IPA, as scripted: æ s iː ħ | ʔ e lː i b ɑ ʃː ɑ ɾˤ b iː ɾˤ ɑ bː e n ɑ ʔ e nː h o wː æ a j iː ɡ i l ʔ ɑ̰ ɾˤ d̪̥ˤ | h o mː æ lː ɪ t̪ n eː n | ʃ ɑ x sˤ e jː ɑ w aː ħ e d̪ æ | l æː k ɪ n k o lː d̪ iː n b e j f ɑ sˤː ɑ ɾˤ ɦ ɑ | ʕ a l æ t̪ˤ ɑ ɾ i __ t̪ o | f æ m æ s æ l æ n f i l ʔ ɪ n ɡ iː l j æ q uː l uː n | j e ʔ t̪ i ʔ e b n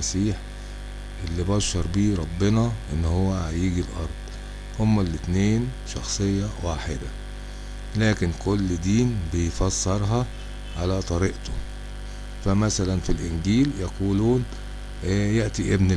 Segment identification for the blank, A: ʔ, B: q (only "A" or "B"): A